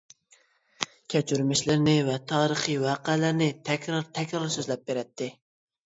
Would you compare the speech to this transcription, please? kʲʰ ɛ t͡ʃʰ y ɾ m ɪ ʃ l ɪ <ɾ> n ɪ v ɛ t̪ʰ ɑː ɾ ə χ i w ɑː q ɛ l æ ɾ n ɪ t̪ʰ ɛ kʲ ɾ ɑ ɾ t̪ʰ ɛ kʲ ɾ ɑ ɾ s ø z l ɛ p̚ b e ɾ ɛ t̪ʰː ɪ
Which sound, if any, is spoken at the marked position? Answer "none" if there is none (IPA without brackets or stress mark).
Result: ɾ